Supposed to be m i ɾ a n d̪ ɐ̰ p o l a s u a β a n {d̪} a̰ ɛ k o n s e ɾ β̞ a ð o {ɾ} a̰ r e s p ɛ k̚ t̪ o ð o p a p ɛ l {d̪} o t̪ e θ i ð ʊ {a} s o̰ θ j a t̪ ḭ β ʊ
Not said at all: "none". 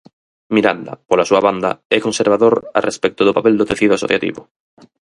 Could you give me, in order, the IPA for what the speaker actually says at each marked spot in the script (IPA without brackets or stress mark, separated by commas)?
d̪, ɾ, d̪, a